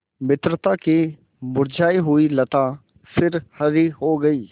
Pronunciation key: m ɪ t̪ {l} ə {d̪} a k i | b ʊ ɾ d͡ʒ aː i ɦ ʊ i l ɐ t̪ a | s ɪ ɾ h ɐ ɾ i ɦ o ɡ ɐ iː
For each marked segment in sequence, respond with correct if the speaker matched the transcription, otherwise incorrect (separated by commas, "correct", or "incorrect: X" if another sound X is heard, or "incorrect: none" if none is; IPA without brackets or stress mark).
incorrect: ɾ, incorrect: t̪